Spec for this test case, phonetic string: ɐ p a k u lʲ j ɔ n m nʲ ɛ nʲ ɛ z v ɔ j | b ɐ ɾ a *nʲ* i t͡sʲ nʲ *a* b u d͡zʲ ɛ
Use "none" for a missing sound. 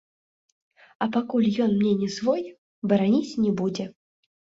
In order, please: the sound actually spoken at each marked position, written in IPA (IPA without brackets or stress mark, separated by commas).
nʲ, ɛ